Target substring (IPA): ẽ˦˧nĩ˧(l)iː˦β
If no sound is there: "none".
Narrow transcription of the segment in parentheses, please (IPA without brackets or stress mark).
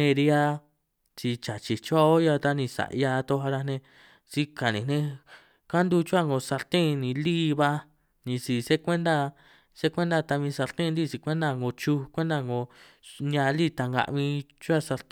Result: l